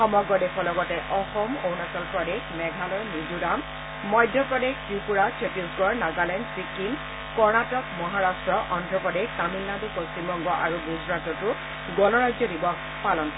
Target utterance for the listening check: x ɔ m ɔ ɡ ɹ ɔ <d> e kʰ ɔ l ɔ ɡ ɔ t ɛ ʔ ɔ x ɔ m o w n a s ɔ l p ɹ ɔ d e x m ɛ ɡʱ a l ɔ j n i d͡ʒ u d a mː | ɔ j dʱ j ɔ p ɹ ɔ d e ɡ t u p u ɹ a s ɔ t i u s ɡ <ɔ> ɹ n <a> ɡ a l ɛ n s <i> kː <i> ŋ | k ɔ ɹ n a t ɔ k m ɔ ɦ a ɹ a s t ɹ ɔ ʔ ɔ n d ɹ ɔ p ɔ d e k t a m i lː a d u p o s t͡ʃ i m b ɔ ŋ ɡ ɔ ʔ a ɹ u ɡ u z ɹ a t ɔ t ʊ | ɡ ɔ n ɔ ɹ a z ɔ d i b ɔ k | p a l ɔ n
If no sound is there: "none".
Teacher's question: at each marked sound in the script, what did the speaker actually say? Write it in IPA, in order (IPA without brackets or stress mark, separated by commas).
d, ɔ, a, i, i